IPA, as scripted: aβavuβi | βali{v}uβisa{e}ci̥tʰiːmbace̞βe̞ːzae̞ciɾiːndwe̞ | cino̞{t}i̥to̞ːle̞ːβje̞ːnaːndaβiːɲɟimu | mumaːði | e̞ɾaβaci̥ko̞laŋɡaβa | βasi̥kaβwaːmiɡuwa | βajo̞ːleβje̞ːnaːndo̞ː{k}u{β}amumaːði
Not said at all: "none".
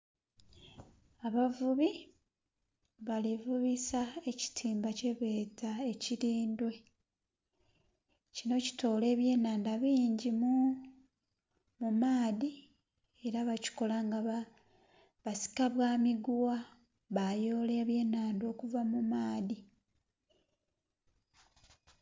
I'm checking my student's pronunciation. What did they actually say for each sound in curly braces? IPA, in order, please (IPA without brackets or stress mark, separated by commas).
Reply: v, e, c, k, v